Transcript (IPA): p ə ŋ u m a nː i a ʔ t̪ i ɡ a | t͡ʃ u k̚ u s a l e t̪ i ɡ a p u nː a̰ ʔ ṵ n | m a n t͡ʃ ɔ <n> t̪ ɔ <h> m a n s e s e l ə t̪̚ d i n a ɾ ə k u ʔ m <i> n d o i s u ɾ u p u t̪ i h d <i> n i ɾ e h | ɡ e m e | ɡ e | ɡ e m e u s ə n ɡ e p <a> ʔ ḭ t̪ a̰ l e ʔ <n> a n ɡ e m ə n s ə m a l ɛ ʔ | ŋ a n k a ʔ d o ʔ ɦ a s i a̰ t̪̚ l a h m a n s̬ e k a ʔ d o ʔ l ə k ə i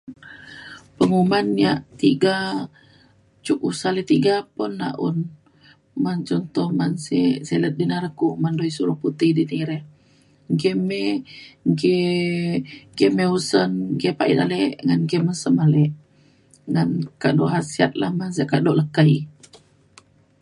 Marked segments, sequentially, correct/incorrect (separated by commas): correct, correct, incorrect, correct, correct, incorrect